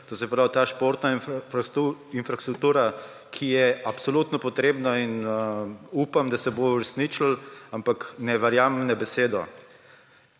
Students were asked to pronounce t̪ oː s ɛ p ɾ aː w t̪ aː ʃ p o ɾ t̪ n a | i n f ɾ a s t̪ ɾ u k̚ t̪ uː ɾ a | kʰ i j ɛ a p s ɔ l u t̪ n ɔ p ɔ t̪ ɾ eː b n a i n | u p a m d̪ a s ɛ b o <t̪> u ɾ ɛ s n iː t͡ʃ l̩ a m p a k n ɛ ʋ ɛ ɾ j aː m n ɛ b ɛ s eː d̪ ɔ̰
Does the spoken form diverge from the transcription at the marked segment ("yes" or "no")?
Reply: yes